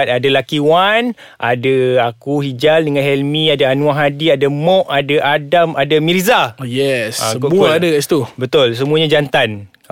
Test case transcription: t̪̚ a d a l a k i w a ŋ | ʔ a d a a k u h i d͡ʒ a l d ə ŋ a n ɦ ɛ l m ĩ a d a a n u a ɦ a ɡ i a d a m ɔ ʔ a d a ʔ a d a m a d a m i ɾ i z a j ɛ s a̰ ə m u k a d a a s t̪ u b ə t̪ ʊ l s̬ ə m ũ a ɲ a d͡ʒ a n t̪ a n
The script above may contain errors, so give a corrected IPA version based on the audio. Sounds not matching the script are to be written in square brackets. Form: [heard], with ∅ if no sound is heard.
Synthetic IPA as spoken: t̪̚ a d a l a k i w a [n] | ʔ a d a a k u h i d͡ʒ a l d ə ŋ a n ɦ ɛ l m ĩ a d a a n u a ɦ a [d] i a d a m ɔ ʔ a d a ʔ a d a m a d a m i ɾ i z a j ɛ s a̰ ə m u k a d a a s t̪ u b ə t̪ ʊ l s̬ ə m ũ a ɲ a d͡ʒ a n t̪ a n